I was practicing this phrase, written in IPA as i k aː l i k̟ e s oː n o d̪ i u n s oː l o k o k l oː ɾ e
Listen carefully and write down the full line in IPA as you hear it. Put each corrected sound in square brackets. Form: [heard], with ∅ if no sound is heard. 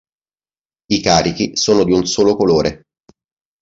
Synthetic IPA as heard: i k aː [ɾ] i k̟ [i] s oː n o d̪ i u n s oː l o k o [∅] l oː ɾ e